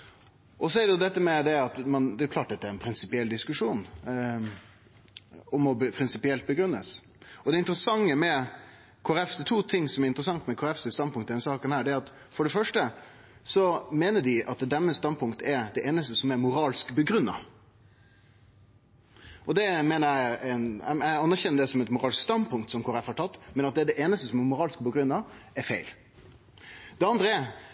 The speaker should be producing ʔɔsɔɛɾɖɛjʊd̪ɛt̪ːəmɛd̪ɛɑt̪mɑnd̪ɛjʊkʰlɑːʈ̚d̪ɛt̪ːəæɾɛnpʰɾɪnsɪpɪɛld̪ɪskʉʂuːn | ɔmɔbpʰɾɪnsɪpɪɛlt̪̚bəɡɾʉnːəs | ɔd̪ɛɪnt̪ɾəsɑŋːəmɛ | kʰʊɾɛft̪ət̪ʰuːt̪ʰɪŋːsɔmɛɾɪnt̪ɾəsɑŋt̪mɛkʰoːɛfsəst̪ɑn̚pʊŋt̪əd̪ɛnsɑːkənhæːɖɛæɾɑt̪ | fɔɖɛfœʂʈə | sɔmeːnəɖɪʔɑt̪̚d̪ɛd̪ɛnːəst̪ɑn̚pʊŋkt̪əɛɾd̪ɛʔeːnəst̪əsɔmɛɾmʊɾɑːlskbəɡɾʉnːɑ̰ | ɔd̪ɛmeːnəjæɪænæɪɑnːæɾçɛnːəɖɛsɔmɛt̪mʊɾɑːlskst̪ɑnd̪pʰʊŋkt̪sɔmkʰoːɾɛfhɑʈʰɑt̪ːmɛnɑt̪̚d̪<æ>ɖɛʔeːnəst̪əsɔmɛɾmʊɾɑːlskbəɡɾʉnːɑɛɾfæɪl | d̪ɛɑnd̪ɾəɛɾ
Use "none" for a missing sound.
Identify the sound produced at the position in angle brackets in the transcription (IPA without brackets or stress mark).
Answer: ɛ